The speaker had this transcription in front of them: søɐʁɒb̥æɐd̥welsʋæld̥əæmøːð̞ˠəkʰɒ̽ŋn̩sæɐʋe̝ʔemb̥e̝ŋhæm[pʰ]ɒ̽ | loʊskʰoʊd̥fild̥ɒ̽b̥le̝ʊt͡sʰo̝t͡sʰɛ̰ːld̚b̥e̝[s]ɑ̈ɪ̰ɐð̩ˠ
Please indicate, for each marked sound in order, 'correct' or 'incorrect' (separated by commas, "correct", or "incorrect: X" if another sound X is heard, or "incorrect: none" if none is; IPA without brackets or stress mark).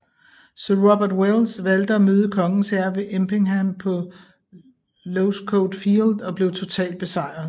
correct, correct